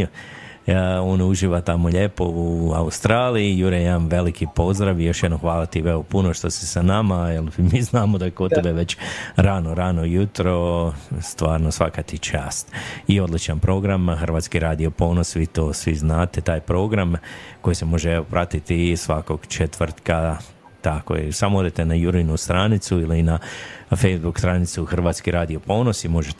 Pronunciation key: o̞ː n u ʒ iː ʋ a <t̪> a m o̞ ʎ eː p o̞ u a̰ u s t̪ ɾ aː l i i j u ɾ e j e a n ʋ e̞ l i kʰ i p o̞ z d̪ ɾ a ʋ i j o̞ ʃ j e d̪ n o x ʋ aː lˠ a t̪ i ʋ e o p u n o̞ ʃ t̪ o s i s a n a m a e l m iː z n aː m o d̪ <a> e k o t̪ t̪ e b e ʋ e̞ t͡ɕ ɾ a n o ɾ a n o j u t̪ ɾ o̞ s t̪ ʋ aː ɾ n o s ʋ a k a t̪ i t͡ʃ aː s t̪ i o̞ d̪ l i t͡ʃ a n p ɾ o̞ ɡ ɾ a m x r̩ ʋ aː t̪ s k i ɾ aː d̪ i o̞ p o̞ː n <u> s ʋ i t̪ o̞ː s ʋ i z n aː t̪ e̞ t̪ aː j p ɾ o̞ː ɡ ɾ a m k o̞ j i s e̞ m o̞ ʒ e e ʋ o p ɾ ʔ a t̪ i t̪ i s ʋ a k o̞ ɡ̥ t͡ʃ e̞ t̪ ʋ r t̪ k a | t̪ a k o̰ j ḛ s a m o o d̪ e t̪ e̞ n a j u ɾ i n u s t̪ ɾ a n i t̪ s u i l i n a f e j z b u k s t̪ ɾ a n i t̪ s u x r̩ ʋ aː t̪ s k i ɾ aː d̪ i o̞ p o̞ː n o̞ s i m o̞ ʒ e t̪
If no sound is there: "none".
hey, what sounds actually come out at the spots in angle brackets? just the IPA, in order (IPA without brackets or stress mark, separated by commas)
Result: t̪, a, o